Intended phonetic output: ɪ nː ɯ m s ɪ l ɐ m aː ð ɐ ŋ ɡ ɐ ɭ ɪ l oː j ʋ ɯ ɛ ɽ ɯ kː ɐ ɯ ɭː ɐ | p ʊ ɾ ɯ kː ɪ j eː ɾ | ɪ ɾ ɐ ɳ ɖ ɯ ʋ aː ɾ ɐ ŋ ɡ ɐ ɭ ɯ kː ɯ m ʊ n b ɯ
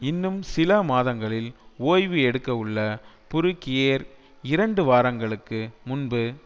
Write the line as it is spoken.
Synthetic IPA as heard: ɪ nː ɯ m s ɪ l ɐ m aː ð ɐ ŋ ɡ ɐ ɭ ɪ l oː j ʋ ɯ ɛ ɽ ɯ kː ɐ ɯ ɭː ɐ | p ʊ ɾ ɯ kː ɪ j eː ɾ | ɪ ɾ ɐ ɳ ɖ ɯ ʋ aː ɾ ɐ ŋ ɡ ɐ ɭ ɯ kː ɯ m ʊ n b ɯ